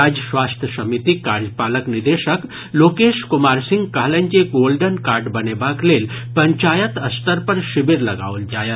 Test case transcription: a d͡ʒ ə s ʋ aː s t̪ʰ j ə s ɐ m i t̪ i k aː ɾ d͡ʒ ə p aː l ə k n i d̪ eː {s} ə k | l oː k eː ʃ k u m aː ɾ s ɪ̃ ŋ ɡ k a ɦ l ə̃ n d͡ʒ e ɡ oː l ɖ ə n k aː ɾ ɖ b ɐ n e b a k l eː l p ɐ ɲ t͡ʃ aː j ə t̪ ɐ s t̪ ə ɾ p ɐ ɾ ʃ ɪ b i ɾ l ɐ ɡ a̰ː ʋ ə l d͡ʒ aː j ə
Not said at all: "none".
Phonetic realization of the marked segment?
ʃ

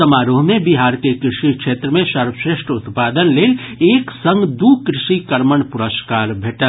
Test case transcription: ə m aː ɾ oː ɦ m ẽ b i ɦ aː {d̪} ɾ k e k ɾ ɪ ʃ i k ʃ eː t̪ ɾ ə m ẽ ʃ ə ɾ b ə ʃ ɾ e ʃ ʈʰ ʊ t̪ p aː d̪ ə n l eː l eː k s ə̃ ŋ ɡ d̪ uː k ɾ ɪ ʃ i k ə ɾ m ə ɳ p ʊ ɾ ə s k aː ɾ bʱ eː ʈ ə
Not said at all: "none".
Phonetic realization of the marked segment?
none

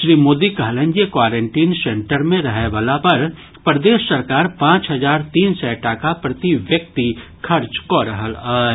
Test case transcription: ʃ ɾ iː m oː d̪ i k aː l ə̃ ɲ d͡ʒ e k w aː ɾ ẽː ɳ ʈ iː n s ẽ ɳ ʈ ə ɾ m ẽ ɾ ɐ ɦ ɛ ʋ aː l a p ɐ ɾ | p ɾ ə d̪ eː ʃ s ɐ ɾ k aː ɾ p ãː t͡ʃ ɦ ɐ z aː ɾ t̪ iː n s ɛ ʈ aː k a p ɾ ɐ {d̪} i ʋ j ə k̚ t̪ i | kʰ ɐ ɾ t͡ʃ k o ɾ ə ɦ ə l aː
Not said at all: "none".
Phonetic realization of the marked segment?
t̪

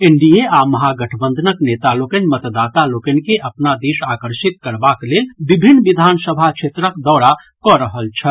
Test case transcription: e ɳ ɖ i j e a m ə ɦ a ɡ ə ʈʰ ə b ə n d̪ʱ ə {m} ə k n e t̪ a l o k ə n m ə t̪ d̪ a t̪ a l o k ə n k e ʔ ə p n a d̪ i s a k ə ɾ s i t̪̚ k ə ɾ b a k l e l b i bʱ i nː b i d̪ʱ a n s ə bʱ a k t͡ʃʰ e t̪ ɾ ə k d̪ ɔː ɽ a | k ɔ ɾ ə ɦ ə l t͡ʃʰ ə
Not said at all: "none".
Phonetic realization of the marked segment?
n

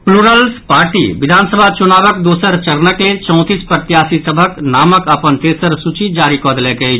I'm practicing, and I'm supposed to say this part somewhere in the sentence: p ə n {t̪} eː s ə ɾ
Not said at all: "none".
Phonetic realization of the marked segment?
t̪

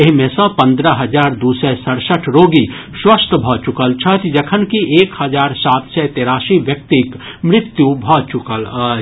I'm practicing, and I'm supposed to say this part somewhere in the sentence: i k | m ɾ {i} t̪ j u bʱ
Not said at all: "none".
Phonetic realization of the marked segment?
ɪ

